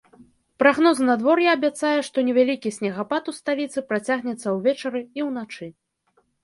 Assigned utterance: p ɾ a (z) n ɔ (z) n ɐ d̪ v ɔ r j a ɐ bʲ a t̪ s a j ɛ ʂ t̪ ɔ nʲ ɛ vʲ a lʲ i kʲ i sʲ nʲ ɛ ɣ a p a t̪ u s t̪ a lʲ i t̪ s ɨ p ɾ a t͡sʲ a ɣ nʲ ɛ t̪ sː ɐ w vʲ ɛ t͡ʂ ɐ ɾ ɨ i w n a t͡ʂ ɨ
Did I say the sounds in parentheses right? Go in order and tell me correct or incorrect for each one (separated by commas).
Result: incorrect, correct